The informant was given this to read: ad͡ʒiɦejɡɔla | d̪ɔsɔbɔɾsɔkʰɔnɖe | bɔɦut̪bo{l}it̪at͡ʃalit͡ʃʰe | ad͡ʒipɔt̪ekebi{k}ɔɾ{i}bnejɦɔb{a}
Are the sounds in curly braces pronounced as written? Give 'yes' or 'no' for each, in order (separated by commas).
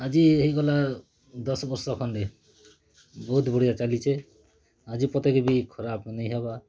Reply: no, no, no, yes